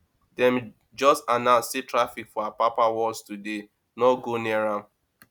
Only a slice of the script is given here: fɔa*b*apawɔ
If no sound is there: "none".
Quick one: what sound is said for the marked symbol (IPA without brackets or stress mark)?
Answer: p